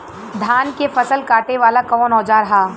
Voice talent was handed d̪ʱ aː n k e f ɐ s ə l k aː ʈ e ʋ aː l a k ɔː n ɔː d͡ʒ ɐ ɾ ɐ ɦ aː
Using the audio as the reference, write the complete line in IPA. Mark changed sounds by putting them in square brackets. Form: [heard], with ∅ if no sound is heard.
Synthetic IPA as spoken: d̪ʱ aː n k e f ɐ s ə l k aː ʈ e ʋ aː l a k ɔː n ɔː d͡ʒ [a] ɾ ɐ ɦ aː